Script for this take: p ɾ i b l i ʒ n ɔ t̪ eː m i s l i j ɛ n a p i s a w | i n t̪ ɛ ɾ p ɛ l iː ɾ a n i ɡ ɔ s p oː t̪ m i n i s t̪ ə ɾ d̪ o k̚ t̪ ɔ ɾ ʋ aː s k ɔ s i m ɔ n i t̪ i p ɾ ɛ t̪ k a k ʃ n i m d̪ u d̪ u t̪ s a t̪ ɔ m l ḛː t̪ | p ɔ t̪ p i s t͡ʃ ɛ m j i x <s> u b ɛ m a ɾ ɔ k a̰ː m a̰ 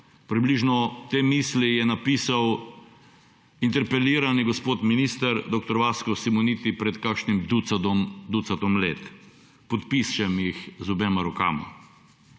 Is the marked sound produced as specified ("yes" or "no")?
no